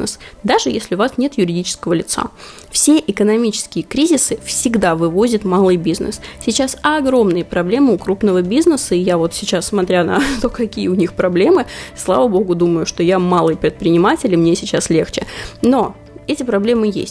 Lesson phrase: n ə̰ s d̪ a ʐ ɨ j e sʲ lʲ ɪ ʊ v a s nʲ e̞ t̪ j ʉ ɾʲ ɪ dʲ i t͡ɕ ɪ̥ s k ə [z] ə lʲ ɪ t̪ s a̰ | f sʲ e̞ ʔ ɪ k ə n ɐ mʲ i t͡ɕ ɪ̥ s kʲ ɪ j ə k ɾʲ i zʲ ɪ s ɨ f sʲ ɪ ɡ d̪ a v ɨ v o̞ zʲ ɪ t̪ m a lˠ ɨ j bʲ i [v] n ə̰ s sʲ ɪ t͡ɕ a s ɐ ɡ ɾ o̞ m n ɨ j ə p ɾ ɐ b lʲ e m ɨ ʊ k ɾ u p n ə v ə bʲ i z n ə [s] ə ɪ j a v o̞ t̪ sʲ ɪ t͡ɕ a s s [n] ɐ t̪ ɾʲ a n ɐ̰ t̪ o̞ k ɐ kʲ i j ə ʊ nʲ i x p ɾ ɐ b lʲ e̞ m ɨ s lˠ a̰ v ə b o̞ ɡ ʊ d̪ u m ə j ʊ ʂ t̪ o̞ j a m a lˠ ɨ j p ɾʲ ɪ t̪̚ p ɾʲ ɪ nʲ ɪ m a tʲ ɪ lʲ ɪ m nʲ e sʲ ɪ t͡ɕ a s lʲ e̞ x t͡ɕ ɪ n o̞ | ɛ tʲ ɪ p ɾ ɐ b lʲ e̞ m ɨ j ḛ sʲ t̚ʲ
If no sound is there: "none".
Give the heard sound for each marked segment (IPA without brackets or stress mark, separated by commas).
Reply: v, z, s, m